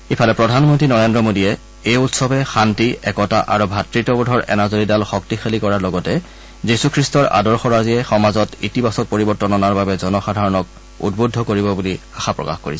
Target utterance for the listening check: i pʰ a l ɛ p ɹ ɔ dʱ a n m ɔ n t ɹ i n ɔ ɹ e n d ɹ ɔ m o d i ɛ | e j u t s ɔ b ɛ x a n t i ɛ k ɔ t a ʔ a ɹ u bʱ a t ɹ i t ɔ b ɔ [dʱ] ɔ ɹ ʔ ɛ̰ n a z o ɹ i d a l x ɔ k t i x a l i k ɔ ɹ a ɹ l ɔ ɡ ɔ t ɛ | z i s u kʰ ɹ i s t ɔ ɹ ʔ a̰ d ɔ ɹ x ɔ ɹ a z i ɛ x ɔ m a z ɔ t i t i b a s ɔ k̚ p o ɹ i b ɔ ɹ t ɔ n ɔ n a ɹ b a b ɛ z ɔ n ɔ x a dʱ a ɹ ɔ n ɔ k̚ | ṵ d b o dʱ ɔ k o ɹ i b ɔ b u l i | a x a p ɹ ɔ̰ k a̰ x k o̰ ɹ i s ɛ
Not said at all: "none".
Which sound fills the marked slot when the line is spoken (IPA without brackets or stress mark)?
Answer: dʱ